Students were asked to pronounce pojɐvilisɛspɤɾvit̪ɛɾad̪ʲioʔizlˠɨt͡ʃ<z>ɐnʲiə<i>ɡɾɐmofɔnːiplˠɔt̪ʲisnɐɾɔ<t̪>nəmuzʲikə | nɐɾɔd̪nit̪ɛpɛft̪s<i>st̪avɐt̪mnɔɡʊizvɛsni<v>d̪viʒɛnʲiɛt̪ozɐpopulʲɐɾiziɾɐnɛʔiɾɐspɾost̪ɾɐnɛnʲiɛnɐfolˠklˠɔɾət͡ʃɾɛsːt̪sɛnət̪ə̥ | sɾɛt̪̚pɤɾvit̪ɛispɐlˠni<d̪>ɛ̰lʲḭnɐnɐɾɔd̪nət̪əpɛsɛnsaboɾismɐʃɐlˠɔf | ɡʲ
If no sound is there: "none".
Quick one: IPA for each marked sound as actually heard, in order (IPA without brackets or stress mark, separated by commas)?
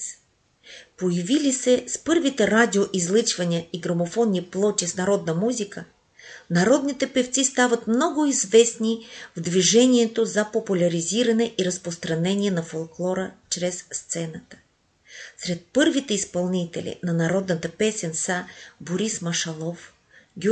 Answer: v, i, d̪, i, v, t̪